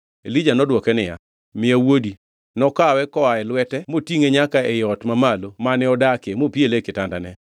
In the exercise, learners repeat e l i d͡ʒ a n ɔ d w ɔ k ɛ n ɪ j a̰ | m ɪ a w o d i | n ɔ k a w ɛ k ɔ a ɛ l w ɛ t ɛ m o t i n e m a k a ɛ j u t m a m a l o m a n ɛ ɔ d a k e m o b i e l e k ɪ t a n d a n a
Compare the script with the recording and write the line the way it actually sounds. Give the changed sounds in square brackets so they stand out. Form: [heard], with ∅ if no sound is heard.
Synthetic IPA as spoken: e l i d͡ʒ a n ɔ d w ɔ k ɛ n ɪ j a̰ | m ɪ a w o d i | n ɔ k a w ɛ k ɔ a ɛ l w ɛ t ɛ m o t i [ŋ] e [ɲ] a k a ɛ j [ɔ] t m a m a l o m a n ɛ ɔ d a k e m o [p] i e l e k ɪ t a n d a n [ɛ]